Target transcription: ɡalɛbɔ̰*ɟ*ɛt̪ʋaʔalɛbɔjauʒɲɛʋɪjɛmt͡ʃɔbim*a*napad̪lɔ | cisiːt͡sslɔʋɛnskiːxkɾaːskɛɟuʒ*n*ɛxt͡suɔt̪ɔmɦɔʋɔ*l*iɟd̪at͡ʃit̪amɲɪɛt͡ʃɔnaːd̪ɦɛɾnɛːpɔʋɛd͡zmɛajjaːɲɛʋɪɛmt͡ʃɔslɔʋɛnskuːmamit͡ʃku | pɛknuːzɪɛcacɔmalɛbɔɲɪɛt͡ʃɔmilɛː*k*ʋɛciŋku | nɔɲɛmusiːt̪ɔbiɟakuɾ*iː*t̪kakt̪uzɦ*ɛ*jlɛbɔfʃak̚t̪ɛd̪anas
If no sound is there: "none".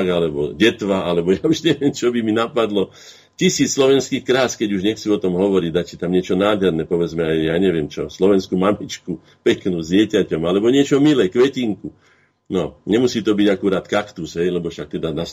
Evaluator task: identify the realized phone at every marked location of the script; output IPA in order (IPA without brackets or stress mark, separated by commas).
ɟ, i, ɲ, ɾ, k, aː, ɛ